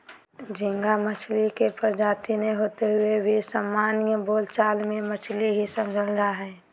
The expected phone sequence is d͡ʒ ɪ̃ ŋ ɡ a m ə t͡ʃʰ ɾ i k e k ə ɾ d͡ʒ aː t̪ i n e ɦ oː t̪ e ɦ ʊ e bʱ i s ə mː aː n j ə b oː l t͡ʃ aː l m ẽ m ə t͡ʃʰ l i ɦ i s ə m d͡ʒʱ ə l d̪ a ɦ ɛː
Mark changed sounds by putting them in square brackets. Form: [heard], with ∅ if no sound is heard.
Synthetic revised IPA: d͡ʒ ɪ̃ ŋ ɡ a m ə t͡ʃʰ [l] i k e [p] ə ɾ d͡ʒ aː t̪ i n e ɦ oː t̪ e ɦ ʊ e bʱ i s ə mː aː n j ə b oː l t͡ʃ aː l m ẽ m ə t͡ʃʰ l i ɦ i s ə m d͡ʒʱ ə l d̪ a ɦ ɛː